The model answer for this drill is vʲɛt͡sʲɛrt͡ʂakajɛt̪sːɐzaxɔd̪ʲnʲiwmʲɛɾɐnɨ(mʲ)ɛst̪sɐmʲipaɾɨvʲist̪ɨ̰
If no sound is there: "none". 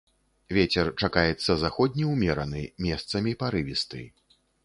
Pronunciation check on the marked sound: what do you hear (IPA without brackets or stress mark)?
mʲ